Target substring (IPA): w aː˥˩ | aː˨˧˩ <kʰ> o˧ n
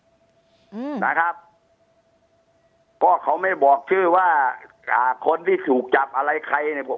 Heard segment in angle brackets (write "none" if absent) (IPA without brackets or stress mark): kʰ